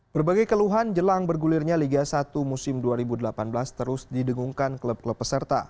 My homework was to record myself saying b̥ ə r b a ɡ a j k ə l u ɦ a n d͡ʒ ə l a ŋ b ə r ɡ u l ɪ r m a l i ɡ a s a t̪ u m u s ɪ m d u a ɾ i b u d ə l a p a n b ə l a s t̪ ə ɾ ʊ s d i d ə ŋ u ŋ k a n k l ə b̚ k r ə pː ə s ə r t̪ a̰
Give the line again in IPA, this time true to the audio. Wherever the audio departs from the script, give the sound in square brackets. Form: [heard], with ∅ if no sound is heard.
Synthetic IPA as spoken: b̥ ə r b a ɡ a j k ə l u ɦ a n d͡ʒ ə l a ŋ b ə r ɡ u l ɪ r [ɲ] a l i ɡ a s a t̪ u m u s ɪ m d u a ɾ i b u d ə l a p a n b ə l a s t̪ ə ɾ ʊ s d i d ə ŋ u ŋ k a n k l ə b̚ k [l] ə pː ə s ə r t̪ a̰